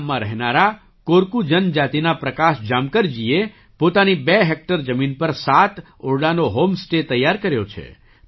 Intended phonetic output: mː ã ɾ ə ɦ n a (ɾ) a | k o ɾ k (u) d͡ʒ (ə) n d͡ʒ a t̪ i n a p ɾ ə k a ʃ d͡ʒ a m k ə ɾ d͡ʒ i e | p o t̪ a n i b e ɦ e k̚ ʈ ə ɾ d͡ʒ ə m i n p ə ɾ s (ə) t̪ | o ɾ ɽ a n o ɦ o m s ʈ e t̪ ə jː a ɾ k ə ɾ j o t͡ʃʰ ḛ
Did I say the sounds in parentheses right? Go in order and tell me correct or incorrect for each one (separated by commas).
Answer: correct, correct, correct, incorrect